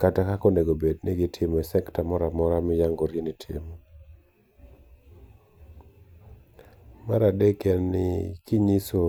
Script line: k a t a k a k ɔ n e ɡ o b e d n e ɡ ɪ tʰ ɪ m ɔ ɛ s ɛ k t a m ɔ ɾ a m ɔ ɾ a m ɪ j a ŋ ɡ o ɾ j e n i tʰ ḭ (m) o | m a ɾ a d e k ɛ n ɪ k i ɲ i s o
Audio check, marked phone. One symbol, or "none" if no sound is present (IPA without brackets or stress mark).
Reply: m